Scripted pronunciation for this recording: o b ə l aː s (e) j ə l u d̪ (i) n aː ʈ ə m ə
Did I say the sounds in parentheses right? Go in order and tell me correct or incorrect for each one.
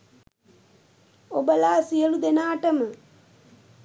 incorrect: i, incorrect: e

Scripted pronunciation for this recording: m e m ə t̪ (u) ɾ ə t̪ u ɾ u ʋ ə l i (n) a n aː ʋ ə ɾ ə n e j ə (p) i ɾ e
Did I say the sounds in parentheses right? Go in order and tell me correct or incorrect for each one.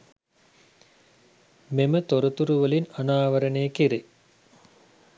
incorrect: o, correct, incorrect: k

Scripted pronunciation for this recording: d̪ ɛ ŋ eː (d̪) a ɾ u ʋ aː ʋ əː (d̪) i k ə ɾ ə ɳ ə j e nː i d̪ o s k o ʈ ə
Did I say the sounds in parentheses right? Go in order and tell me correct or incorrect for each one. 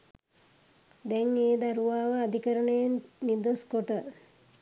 correct, correct

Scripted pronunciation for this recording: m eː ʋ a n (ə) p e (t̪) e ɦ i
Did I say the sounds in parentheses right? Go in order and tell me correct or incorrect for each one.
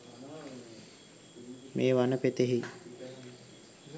correct, correct

